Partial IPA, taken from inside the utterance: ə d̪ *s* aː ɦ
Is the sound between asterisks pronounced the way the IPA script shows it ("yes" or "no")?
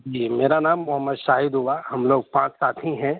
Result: no